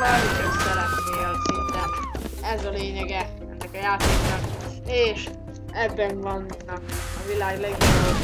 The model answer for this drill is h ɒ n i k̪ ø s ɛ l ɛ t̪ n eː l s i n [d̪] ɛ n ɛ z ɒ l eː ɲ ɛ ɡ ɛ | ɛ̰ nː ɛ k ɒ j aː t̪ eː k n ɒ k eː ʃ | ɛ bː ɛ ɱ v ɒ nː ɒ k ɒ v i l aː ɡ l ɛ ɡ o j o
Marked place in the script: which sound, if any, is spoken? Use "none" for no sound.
t̪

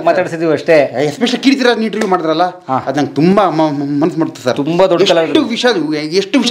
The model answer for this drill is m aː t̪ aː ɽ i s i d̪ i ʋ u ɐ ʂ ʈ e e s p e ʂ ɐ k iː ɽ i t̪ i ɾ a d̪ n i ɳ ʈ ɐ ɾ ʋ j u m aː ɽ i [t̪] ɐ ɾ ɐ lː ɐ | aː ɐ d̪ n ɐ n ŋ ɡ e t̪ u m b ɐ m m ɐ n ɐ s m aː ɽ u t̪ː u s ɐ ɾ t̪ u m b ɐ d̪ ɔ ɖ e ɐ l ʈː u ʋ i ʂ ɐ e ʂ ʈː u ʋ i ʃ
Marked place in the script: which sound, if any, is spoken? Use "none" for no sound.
d̪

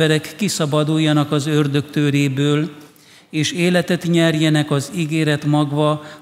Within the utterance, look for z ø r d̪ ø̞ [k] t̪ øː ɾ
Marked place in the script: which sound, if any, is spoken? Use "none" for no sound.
k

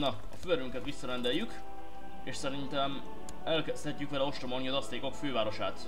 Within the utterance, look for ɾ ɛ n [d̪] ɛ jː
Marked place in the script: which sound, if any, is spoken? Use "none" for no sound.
d̪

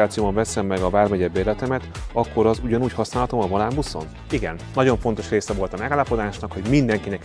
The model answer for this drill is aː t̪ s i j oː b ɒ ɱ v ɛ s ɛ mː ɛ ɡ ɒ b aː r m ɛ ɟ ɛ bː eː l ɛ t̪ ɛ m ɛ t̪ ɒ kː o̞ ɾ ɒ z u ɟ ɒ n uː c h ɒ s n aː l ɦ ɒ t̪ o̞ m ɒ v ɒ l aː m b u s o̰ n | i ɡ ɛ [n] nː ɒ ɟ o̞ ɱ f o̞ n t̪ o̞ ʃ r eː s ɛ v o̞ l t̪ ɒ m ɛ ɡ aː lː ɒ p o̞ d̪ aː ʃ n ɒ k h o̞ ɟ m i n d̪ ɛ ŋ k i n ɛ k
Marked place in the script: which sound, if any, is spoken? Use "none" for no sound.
n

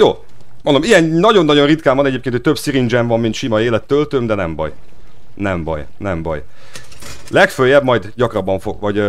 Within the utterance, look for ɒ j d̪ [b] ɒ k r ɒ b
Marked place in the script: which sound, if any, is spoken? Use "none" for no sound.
ɟ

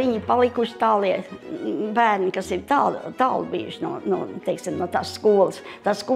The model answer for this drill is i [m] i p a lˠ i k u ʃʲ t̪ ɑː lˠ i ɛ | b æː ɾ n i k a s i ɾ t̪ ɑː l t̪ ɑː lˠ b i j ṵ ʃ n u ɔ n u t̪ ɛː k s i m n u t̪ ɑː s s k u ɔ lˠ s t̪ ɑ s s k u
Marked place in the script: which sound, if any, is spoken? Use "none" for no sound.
ɲ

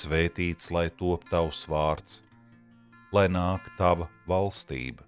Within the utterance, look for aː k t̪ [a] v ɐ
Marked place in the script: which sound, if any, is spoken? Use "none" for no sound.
a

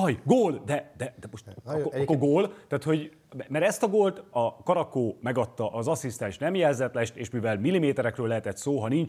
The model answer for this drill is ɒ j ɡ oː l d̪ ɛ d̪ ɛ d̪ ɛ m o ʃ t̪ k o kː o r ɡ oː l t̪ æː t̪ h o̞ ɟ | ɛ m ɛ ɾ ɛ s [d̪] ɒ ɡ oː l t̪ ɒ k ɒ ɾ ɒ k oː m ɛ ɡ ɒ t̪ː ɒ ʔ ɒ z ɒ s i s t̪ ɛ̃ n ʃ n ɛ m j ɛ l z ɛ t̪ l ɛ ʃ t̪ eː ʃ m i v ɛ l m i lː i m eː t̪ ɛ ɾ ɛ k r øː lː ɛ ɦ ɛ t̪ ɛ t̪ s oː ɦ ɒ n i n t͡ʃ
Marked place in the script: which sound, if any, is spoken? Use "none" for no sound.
t̪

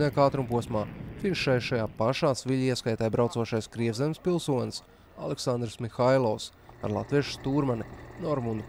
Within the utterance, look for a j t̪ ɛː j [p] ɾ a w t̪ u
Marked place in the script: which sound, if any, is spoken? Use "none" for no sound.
b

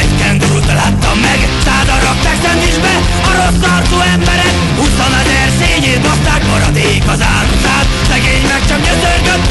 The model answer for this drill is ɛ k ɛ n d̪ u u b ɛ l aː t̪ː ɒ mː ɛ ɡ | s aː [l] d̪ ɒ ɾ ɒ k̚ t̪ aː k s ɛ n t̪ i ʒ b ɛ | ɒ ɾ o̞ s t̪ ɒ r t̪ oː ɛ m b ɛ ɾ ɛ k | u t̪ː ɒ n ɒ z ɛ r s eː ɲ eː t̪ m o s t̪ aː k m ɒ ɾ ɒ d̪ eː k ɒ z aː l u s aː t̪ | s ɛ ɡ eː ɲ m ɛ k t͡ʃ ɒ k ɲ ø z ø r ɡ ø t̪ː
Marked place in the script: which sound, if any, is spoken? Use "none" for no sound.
none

